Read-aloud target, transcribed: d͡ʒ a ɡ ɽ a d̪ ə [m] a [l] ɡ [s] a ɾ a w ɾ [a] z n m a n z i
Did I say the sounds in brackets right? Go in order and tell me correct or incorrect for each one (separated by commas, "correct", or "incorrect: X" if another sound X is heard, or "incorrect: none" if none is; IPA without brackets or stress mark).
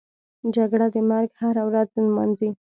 correct, incorrect: ɾ, incorrect: h, correct